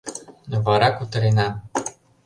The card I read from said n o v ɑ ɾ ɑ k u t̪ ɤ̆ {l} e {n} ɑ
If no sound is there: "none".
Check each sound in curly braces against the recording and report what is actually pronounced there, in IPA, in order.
ɾ, n

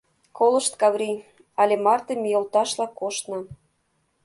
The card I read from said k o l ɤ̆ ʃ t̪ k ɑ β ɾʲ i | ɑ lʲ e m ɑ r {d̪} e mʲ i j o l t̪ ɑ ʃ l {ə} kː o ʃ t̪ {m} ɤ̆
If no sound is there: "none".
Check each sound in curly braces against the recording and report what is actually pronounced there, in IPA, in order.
t̪, ɑ, n

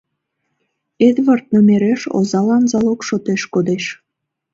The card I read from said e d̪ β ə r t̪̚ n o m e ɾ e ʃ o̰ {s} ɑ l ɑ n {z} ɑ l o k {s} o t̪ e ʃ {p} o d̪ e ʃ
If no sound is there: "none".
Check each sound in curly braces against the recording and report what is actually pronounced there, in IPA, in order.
z, z, ʃ, k

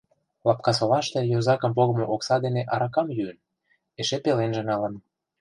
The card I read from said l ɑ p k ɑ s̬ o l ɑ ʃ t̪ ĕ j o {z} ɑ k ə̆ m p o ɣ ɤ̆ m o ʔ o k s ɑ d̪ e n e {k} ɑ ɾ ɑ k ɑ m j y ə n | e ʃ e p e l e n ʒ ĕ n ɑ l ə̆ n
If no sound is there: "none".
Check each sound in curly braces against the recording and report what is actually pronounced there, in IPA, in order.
z, ʔ

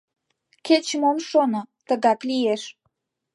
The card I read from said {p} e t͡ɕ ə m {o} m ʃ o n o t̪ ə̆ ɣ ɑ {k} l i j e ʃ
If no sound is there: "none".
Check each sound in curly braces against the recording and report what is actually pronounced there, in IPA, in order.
k, o, k

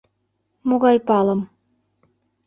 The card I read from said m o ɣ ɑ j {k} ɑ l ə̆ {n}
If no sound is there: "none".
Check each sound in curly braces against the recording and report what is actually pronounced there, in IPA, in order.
p, m

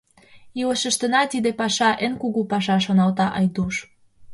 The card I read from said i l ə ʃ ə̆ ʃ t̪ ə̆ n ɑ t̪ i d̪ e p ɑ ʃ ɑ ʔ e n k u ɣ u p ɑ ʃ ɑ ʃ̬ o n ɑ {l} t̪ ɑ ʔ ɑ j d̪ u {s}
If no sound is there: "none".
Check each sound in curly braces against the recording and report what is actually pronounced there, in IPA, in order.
l, ʃ

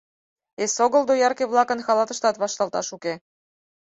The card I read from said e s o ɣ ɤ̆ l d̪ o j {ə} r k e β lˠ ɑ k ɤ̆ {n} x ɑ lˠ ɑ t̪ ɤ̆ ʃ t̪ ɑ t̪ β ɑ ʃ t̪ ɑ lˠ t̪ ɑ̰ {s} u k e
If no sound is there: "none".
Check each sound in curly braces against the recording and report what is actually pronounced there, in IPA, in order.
ɑ, n, ʃ

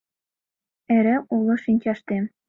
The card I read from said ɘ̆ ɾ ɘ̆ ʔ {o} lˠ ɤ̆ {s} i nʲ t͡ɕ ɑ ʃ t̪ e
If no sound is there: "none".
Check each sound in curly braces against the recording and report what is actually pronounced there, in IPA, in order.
u, ʃ

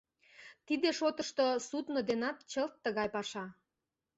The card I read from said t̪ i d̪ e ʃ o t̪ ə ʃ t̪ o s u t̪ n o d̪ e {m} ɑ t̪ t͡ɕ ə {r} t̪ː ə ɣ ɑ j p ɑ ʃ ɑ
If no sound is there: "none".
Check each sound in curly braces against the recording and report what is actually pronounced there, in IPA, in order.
n, l

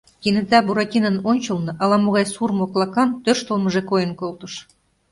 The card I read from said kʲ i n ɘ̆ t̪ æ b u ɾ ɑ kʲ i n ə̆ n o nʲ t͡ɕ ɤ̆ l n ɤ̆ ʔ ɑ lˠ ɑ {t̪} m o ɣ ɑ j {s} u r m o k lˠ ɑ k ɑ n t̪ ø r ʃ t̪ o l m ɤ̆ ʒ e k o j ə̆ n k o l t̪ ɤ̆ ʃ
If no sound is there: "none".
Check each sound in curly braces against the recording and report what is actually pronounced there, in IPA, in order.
none, s

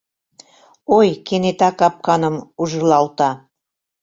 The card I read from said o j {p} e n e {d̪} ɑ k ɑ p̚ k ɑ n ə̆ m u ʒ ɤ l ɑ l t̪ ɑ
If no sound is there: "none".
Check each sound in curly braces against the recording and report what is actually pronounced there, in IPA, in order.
k, t̪

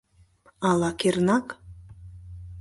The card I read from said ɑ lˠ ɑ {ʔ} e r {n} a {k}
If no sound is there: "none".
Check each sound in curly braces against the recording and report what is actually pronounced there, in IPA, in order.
k, n, k

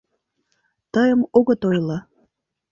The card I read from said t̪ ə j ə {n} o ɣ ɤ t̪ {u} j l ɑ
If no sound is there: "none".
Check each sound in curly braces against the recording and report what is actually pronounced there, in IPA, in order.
m, o

